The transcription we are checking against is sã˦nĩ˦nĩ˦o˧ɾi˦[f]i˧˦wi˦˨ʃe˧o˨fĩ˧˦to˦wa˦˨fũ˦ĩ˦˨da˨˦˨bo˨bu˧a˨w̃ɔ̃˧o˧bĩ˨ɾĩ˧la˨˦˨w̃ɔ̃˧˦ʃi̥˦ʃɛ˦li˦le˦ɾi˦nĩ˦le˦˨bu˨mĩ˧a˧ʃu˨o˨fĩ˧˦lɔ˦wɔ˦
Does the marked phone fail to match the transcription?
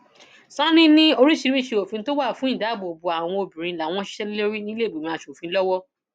yes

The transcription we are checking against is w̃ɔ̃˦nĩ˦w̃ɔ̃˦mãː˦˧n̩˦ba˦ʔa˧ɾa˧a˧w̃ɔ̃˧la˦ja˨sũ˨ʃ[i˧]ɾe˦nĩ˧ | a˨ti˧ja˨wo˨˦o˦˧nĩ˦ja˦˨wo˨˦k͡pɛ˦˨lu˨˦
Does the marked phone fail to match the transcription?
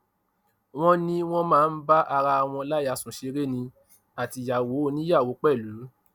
yes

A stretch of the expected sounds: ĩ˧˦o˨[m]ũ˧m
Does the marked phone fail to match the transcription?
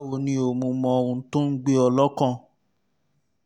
no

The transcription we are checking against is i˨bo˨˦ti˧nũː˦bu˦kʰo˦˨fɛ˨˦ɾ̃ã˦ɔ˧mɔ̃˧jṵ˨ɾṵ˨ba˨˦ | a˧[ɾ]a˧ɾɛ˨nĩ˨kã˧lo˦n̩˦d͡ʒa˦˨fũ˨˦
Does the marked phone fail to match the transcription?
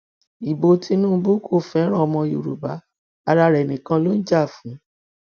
no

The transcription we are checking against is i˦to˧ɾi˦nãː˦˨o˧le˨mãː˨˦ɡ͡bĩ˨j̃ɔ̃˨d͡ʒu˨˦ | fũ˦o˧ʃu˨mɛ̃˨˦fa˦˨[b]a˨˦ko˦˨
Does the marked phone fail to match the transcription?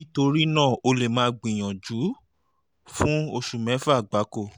yes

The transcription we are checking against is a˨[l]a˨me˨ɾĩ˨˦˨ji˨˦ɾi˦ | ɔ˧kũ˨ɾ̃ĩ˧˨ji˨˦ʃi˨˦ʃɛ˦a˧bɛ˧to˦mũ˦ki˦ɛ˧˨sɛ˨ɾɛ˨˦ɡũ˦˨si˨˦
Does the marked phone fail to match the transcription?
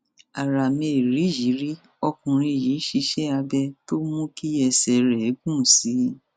yes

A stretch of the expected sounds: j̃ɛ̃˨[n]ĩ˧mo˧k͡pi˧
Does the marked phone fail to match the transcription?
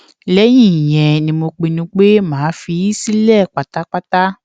no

